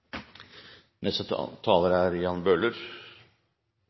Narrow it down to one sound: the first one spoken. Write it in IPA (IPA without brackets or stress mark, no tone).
n